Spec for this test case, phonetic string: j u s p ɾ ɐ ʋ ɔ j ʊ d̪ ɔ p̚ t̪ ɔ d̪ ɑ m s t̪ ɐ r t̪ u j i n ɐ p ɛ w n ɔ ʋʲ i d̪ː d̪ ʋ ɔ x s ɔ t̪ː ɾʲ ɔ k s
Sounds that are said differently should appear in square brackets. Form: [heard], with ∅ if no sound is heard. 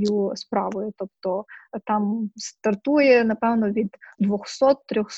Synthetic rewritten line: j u s p ɾ [ɑ] ʋ ɔ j ʊ [t̪] ɔ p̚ t̪ ɔ [t̪] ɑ m s t̪ ɐ r t̪ u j [ɛ] n ɐ p ɛ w n ɔ ʋʲ i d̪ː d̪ ʋ ɔ x s ɔ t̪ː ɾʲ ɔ [x] s